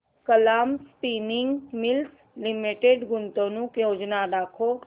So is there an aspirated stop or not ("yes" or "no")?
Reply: yes